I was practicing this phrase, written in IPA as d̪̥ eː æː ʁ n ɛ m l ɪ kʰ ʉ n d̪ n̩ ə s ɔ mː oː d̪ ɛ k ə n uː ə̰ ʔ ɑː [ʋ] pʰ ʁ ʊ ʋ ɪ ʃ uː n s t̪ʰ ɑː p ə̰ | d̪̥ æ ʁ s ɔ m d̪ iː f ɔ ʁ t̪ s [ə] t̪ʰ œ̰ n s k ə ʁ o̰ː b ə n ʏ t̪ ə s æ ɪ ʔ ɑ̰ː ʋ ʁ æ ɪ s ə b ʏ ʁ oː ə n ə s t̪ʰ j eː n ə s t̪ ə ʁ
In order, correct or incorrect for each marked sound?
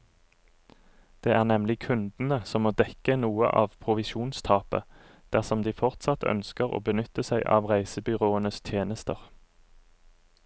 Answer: correct, incorrect

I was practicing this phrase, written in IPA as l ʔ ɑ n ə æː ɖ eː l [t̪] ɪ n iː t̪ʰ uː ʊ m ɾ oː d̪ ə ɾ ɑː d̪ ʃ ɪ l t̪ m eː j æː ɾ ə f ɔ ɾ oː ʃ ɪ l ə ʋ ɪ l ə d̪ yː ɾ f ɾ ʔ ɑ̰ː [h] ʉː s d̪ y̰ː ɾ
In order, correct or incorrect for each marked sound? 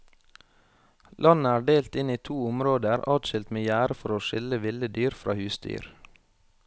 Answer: correct, correct

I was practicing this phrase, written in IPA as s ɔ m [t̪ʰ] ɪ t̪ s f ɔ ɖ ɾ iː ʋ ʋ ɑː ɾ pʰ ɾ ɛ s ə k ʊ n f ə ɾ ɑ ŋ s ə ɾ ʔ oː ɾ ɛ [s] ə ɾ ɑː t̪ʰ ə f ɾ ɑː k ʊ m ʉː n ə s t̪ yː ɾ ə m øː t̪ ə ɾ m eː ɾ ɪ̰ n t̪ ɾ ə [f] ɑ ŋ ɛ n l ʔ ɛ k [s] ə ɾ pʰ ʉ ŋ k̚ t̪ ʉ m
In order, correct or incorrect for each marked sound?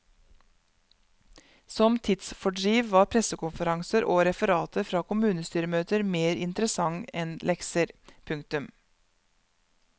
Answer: correct, incorrect, incorrect, correct

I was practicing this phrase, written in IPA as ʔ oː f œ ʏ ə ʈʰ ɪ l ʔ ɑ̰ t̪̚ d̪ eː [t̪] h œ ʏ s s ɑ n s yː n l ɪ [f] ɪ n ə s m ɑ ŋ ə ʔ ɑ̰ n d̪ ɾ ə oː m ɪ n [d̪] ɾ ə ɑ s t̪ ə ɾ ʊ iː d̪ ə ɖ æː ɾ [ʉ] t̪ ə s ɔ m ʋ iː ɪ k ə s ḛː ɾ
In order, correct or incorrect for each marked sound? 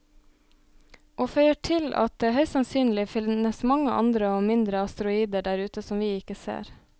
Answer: incorrect, correct, correct, incorrect

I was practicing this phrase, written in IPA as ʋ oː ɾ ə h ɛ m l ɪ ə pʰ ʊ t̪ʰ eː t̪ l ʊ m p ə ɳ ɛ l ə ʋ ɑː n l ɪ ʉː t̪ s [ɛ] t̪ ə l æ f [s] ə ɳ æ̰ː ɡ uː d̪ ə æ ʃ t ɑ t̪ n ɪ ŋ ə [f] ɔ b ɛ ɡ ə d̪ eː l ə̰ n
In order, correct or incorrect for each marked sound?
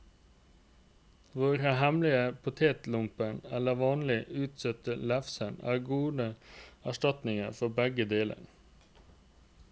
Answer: incorrect, correct, correct

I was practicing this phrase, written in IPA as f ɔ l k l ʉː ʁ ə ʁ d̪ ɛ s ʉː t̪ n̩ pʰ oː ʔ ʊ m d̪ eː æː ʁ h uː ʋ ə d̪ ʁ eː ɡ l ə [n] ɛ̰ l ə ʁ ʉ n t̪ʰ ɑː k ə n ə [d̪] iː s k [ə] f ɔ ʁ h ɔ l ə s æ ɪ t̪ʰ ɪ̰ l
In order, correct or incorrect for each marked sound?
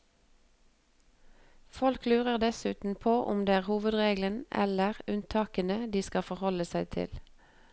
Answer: correct, correct, incorrect

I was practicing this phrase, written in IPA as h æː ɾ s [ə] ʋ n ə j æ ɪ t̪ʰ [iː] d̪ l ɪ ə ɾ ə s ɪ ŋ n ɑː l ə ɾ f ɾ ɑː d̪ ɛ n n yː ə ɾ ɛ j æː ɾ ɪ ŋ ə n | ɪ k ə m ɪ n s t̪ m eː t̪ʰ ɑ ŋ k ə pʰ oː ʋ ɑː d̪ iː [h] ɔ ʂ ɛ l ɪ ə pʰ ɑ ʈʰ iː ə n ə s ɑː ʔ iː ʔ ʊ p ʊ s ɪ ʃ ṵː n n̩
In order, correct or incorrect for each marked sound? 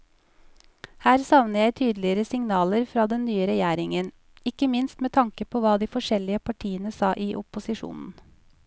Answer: incorrect, incorrect, incorrect

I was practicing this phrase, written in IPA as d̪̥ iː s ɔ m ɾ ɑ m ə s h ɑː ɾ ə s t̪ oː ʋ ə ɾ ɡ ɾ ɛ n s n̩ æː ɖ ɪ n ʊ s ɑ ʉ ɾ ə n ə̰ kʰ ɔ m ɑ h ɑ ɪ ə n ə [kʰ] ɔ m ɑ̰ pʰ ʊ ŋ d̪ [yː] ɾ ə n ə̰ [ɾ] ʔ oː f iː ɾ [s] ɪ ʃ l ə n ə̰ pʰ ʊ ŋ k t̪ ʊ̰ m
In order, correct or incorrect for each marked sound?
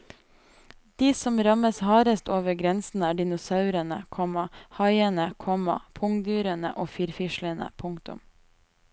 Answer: correct, correct, incorrect, incorrect

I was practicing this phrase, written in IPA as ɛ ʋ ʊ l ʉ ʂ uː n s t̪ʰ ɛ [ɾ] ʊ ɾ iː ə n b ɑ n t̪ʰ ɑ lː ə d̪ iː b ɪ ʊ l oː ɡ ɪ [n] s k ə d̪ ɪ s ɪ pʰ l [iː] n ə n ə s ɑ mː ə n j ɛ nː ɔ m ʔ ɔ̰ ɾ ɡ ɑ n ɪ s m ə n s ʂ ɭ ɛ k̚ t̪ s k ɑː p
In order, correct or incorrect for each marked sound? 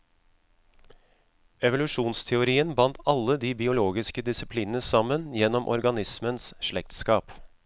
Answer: incorrect, incorrect, correct

